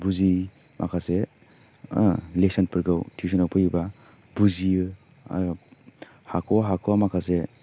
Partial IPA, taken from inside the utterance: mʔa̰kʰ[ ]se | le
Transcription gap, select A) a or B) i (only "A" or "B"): A